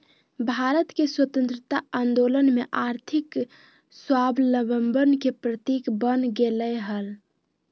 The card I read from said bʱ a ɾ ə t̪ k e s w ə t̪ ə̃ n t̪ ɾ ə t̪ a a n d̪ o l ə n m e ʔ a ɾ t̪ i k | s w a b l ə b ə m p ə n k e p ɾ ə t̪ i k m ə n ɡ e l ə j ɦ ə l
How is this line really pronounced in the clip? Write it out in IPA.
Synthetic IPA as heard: bʱ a ɾ ə t̪ k e s w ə t̪ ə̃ n t̪ ɾ ə t̪ a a n d̪ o l ə n m e ʔ a ɾ t̪ʰ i k | s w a b l ə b ə m b ə n k e p ɾ ə t̪ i k b ə n ɡ e l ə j ɦ ə l